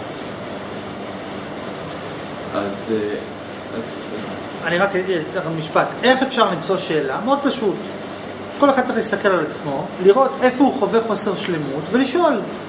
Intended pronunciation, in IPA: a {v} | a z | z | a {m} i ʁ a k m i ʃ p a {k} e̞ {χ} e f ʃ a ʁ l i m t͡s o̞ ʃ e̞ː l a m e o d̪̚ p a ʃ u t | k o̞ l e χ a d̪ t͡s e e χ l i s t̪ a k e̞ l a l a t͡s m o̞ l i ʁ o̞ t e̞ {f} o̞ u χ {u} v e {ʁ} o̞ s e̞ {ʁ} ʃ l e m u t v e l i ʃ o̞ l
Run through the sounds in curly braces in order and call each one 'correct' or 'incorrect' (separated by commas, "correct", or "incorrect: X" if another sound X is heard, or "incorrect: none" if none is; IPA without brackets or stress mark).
incorrect: z, incorrect: n, incorrect: t, correct, correct, incorrect: o, incorrect: χ, correct